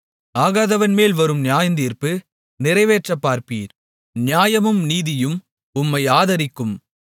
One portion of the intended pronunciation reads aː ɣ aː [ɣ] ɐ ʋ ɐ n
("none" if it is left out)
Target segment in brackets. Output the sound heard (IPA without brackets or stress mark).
ð